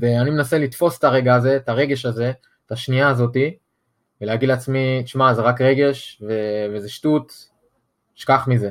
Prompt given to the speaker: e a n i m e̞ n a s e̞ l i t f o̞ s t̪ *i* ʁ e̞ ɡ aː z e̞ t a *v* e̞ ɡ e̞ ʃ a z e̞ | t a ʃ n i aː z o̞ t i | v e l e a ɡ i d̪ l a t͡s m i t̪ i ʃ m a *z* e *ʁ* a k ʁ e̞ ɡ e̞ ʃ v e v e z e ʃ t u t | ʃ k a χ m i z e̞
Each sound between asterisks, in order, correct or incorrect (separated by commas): incorrect, incorrect, correct, correct